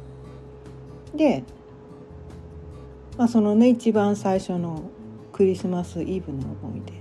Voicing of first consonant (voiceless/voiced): voiced